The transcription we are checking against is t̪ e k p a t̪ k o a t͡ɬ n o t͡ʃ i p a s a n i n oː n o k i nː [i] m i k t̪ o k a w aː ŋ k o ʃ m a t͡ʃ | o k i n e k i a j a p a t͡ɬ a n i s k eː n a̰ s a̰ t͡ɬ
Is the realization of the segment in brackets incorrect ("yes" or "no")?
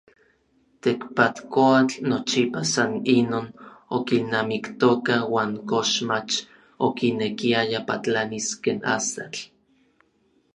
yes